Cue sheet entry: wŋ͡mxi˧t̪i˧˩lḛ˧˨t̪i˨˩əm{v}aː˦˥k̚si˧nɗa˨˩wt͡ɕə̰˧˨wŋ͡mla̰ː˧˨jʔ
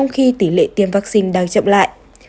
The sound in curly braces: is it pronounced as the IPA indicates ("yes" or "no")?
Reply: yes